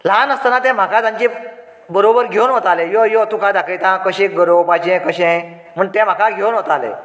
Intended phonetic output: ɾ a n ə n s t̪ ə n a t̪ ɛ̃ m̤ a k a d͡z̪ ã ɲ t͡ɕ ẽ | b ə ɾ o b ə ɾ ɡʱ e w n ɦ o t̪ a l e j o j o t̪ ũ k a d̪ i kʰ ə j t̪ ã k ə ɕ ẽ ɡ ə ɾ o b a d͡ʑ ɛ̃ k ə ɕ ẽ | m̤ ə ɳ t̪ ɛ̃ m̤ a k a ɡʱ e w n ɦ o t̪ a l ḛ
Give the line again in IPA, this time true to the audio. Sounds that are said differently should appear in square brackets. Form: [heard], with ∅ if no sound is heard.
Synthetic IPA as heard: [l] a n ə [∅] s t̪ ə n a t̪ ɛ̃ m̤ a k a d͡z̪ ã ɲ t͡ɕ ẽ | b ə ɾ o b ə ɾ ɡʱ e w n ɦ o t̪ a l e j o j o t̪ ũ k a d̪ [a] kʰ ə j t̪ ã k ə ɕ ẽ ɡ ə ɾ o b a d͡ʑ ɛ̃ k ə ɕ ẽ | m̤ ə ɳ t̪ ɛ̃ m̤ a k a ɡʱ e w n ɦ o t̪ a l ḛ